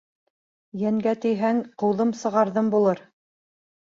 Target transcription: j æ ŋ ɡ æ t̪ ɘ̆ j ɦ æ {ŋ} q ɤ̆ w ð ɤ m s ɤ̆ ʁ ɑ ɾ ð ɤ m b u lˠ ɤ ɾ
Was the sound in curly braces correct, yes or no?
yes